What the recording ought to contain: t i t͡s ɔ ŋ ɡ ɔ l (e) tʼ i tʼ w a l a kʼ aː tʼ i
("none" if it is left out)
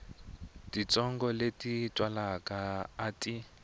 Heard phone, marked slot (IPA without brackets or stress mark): e